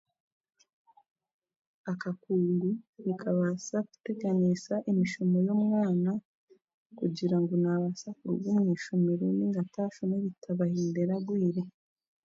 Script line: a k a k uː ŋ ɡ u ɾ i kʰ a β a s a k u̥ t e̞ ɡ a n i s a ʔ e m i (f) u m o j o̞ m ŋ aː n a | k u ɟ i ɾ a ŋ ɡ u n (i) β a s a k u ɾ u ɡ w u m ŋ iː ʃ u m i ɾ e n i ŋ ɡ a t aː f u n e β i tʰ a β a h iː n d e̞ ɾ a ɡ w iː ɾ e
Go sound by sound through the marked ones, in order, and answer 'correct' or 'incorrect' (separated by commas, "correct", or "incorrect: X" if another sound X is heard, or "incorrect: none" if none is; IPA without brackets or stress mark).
incorrect: ʃ, incorrect: a